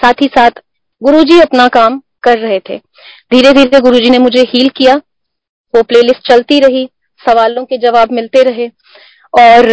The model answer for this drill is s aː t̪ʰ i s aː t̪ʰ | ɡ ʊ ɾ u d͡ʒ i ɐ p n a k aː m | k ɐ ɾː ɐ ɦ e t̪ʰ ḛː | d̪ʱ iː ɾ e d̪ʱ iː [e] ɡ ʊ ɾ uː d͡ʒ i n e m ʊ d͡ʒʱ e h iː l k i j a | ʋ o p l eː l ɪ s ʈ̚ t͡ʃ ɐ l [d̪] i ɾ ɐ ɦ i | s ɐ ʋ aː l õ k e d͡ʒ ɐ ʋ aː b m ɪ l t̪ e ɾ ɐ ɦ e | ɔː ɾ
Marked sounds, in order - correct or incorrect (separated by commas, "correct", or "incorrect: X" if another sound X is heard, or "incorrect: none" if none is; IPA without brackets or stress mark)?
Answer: correct, incorrect: t̪